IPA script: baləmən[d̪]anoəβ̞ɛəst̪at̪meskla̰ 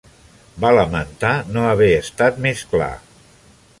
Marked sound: incorrect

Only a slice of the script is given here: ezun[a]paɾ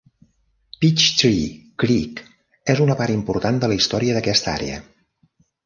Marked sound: incorrect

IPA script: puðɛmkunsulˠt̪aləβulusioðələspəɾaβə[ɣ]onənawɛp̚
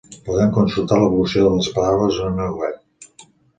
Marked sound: incorrect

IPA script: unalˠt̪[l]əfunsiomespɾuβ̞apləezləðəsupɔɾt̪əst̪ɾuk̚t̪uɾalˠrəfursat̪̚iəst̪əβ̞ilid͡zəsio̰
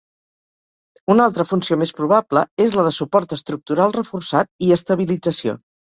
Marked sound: incorrect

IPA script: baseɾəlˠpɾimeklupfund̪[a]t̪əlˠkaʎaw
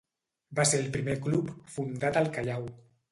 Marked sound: correct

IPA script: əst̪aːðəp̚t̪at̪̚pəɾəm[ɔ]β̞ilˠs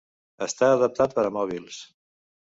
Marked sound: correct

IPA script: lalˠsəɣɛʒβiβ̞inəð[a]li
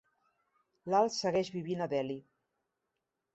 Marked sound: incorrect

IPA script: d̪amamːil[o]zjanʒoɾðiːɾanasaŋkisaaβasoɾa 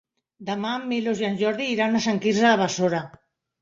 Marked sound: correct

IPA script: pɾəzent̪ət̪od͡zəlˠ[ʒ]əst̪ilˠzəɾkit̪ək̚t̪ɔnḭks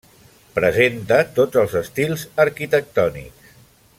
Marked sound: incorrect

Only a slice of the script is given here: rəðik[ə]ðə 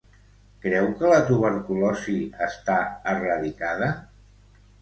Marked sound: incorrect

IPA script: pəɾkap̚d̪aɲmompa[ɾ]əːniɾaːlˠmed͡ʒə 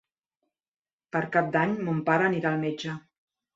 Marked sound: correct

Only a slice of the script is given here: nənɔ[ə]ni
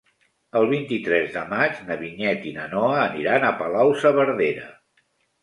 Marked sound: incorrect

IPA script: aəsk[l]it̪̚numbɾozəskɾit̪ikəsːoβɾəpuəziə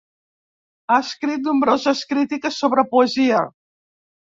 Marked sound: incorrect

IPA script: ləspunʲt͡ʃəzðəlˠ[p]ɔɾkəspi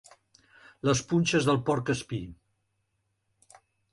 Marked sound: correct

